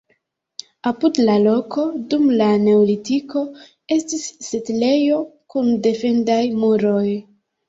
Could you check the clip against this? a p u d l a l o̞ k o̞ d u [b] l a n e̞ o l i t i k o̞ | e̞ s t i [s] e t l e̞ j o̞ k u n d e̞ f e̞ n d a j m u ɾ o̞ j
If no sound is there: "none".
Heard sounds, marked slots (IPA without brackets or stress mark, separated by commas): m, sː